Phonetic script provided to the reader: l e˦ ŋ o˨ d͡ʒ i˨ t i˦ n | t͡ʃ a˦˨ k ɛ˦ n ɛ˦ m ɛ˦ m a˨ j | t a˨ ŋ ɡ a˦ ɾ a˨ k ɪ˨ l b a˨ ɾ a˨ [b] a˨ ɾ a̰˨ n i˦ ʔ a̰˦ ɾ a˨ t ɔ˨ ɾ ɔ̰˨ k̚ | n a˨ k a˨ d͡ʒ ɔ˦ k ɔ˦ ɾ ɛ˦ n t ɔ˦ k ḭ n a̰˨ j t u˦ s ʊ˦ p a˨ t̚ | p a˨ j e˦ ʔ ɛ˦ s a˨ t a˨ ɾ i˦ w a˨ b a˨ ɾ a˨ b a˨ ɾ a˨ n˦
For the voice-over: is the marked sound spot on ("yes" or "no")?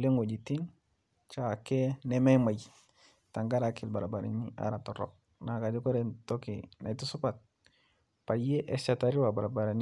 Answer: yes